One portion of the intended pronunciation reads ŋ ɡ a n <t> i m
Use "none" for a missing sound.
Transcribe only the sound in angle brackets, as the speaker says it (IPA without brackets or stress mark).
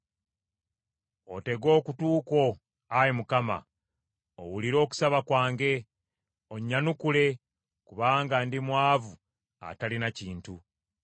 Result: d